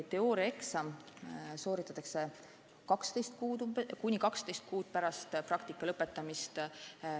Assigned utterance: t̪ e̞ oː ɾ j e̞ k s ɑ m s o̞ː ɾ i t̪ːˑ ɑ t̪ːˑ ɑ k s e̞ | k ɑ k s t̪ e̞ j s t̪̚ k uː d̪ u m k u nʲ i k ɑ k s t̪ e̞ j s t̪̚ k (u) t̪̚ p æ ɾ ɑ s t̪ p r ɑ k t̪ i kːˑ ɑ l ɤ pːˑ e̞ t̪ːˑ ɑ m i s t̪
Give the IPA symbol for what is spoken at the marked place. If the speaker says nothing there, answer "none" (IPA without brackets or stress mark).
uː